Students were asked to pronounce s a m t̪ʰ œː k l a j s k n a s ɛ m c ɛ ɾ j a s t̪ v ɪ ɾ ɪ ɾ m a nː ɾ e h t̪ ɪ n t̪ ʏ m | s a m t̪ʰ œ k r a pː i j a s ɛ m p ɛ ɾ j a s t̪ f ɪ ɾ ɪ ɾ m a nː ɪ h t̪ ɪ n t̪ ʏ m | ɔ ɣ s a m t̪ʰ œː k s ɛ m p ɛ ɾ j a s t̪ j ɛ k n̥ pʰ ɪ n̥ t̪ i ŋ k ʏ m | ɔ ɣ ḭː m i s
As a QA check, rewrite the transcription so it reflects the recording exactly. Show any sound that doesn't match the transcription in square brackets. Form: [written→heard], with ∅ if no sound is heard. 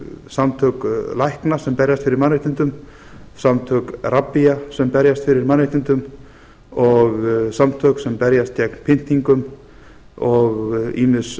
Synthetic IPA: s a m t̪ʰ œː k l a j [s→h] k n a s ɛ m [c→p] ɛ ɾ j a s t̪ [v→f] ɪ ɾ ɪ ɾ m a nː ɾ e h t̪ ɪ n t̪ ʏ m | s a m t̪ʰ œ k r a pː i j a s ɛ m p ɛ ɾ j a s t̪ f ɪ ɾ ɪ ɾ m a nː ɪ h t̪ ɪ n t̪ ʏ m | ɔ ɣ s a m t̪ʰ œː k s ɛ m p ɛ ɾ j a s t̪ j ɛ k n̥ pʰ ɪ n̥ t̪ i ŋ k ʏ m | ɔ ɣ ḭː m [i→ɪ] s